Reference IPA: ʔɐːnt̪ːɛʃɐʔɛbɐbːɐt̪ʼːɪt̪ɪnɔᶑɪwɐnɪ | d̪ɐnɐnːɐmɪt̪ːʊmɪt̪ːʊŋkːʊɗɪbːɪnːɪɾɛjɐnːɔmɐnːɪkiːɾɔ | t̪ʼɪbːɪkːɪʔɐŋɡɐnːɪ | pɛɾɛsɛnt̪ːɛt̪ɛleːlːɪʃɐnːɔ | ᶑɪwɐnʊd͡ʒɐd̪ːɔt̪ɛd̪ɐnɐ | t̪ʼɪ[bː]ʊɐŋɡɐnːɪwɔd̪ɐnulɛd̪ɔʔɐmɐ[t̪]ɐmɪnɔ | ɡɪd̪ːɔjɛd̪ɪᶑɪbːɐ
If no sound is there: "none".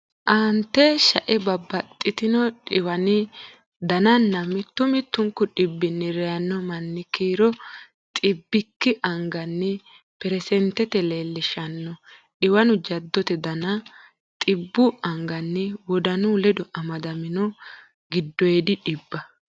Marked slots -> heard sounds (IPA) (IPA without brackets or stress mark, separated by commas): bː, d̪